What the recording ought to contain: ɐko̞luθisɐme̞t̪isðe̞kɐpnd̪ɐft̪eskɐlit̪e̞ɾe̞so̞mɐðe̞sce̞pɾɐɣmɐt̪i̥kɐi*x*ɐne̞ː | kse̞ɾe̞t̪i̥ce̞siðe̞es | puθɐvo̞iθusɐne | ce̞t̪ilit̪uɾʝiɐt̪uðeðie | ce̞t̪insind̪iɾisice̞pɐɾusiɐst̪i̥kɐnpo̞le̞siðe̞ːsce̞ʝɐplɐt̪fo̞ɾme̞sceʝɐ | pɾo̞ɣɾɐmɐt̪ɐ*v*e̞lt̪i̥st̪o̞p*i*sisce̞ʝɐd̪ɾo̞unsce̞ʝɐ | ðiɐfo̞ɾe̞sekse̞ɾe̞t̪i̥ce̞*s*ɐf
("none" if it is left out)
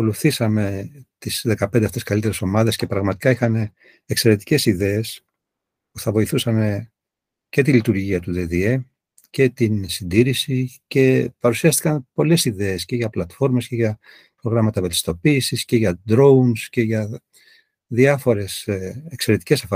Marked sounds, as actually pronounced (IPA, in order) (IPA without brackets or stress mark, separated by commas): x, v, iː, s